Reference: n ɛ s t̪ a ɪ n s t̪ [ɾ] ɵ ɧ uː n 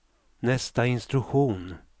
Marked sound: correct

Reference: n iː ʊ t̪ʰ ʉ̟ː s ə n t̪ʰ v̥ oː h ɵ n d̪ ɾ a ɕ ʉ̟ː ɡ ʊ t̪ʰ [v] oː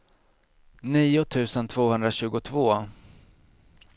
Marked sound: correct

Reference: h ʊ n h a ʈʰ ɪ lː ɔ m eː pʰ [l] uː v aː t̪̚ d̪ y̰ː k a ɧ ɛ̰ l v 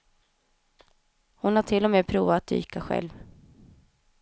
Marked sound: incorrect: ɾ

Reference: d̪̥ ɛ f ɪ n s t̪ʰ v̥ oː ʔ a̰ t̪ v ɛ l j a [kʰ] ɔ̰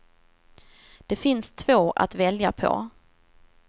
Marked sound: incorrect: pʰ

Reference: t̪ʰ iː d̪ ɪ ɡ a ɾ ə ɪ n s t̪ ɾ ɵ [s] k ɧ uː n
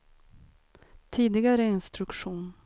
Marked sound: incorrect: none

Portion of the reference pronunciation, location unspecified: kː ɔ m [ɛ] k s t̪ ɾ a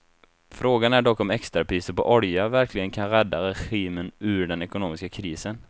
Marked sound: correct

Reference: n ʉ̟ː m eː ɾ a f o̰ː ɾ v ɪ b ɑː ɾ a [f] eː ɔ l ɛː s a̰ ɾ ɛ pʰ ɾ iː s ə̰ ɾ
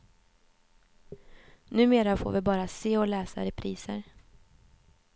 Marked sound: incorrect: s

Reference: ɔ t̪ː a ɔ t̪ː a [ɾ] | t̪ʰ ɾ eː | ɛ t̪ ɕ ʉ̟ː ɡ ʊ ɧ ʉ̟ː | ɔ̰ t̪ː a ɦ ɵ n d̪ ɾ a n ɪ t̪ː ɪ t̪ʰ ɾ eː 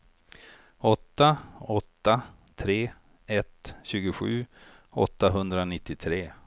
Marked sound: incorrect: none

